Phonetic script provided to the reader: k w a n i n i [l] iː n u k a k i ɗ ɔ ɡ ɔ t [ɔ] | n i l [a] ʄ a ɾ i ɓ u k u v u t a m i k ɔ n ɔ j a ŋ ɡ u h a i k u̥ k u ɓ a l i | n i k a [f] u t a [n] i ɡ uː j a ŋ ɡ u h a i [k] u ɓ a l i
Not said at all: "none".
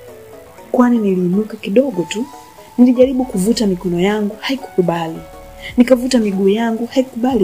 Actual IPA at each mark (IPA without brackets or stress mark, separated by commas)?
l, u, i, v, m, k